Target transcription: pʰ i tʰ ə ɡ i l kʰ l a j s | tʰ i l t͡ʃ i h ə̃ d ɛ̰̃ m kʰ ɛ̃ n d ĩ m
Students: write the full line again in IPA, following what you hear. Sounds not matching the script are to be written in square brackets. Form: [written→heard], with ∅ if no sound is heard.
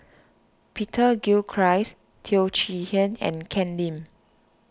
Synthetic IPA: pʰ i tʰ ə ɡ i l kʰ [l→ɹ] a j s | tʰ i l t͡ʃ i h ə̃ [d→n] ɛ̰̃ [m→n] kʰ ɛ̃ n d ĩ m